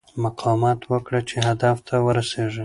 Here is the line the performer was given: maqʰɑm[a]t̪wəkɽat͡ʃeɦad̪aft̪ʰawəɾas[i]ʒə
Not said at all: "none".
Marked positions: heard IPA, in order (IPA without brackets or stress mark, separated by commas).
ɑ, e